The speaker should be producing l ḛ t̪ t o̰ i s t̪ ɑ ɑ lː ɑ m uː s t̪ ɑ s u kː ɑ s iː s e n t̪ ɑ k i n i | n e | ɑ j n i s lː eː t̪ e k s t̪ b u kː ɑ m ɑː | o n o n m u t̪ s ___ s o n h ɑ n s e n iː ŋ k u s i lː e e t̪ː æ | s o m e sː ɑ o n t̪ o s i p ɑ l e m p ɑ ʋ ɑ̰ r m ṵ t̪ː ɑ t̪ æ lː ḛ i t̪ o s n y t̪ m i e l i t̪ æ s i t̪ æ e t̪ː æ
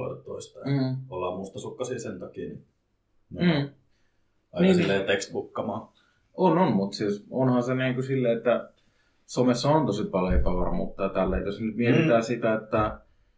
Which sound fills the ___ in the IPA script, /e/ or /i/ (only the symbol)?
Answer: i